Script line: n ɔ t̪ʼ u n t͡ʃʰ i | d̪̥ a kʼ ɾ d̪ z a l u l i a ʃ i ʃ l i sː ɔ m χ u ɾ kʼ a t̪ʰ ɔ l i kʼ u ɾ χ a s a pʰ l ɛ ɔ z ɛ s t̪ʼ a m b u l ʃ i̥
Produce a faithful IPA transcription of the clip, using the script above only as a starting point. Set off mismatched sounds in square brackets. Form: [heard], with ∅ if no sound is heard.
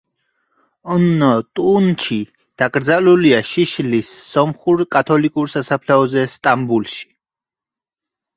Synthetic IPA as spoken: n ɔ t̪ʼ u n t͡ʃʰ i | d̪̥ a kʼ ɾ d̪ z a l u l i a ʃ i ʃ l i sː ɔ m χ u ɾ kʼ a t̪ʰ ɔ l i kʼ u ɾ [s] a s a pʰ l ɛ ɔ z ɛ s t̪ʼ a m b u l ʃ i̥